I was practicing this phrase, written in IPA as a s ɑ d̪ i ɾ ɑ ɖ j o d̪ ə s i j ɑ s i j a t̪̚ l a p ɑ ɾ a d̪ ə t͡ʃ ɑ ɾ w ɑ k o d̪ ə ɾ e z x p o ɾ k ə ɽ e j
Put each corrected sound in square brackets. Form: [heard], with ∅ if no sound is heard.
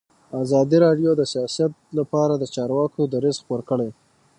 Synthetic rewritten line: a [z] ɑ d̪ i ɾ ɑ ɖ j o d̪ ə s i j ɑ s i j a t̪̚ l a p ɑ ɾ a d̪ ə t͡ʃ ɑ ɾ w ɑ k o d̪ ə ɾ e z x p o ɾ k ə ɽ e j